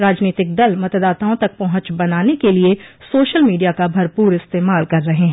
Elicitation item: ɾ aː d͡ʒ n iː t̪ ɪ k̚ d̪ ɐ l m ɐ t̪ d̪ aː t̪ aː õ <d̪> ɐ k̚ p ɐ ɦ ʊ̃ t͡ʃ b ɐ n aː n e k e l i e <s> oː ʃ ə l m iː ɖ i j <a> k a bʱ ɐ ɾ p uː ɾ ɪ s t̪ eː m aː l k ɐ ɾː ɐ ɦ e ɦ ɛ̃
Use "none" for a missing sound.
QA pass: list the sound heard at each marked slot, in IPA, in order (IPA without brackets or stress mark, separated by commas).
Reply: t̪, s, a